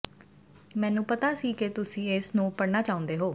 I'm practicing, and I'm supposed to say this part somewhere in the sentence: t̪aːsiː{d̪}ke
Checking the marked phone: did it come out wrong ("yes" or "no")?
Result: yes